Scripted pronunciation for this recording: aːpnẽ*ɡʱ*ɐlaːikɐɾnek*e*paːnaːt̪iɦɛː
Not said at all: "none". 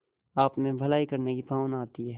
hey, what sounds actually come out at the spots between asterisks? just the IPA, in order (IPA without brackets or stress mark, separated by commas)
bʱ, i